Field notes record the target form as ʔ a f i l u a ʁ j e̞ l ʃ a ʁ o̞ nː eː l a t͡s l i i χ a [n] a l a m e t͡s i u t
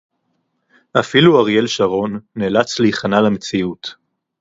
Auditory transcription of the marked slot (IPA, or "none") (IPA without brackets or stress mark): n